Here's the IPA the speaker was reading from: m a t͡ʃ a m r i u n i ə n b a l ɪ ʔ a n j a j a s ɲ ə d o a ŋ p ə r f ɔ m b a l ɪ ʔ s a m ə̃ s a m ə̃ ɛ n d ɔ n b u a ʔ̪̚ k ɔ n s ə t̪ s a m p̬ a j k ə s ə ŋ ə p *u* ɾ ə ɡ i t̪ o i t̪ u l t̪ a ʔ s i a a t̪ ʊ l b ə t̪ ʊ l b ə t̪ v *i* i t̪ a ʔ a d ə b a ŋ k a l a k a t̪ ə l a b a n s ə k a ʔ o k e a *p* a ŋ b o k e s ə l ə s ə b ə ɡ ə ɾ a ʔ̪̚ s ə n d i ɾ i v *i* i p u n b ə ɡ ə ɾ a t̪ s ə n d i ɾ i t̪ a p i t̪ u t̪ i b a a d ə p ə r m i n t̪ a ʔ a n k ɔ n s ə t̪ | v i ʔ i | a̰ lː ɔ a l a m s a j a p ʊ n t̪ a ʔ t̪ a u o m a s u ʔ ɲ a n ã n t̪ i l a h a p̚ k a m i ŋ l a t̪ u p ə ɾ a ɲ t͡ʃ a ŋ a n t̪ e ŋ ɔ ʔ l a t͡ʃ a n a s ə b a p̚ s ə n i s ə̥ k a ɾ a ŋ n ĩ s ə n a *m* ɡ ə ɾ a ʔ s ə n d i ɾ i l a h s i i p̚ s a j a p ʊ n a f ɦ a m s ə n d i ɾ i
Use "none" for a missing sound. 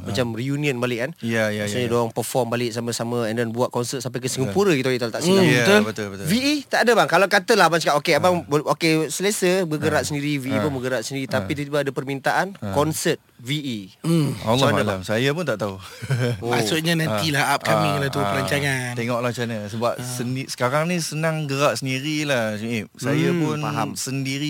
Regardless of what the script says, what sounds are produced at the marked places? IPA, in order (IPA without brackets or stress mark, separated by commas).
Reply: u, i, b, i, ŋ